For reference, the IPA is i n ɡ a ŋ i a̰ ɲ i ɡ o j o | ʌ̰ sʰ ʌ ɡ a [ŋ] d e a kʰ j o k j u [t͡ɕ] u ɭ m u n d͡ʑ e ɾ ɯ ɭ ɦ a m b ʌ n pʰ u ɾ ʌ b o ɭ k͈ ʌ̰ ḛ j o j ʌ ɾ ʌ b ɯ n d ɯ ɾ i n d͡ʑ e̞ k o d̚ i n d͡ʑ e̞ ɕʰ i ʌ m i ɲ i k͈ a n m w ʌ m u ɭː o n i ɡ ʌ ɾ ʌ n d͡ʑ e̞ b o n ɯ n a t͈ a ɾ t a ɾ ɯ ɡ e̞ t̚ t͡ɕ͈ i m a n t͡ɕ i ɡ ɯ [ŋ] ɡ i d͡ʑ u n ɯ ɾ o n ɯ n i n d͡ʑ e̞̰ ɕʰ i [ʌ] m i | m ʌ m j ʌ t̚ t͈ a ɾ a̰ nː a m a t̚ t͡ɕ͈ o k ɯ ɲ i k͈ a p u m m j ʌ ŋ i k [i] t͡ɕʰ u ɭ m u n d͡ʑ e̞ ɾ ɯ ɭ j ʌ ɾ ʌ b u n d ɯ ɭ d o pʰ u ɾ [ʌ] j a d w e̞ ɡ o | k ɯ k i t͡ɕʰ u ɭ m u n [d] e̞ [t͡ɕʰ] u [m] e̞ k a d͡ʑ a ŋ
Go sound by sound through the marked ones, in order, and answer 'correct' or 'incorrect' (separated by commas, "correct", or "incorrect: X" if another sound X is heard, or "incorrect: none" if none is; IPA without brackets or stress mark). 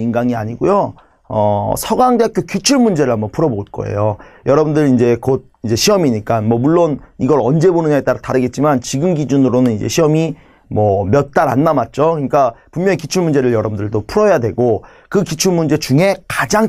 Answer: correct, incorrect: t͡ɕʰ, incorrect: m, correct, correct, correct, incorrect: d͡ʑ, incorrect: t͡ɕ, incorrect: ŋ